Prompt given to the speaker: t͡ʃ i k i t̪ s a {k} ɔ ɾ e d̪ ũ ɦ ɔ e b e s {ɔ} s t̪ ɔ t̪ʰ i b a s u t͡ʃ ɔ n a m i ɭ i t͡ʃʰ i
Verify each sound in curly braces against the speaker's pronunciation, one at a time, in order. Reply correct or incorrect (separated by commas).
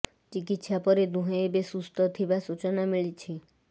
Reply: incorrect, incorrect